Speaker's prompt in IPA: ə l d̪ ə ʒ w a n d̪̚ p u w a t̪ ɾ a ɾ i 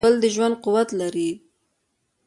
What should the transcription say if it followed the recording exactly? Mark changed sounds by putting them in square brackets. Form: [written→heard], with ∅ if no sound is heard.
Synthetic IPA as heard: ə l d̪ ə ʒ w a n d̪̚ [p→q] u w a t̪ [ɾ→l] a ɾ i